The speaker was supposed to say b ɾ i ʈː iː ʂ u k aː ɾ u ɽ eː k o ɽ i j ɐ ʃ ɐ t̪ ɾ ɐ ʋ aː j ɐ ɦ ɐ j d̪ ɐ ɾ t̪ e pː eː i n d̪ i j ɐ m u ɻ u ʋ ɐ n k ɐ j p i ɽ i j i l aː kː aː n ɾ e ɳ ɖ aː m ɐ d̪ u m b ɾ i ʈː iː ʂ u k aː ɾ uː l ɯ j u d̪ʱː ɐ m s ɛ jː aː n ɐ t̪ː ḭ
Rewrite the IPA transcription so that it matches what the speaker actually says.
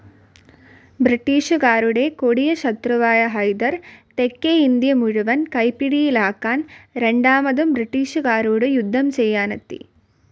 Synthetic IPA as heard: b ɾ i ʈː iː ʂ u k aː ɾ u ɽ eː k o ɽ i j ɐ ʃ ɐ t̪ ɾ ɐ ʋ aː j ɐ ɦ ɐ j d̪ ɐ ɾ t̪ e kː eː i n d̪ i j ɐ m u ɻ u ʋ ɐ n k ɐ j p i ɽ i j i l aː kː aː n ɾ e ɳ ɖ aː m ɐ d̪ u m b ɾ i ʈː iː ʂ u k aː ɾ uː ɽ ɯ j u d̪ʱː ɐ m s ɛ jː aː n ɐ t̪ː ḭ